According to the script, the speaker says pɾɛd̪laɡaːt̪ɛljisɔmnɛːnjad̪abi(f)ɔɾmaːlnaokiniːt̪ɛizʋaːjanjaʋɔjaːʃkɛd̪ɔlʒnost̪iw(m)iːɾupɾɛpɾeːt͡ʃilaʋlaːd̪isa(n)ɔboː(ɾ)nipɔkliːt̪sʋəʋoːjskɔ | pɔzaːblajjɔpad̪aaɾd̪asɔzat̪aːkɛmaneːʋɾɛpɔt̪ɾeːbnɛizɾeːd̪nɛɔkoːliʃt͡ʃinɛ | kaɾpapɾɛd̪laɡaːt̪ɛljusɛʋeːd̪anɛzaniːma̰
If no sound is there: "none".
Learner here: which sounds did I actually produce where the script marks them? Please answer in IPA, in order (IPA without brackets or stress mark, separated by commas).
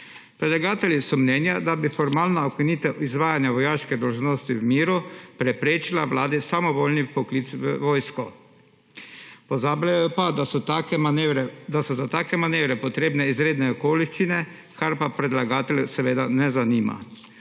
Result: f, m, m, l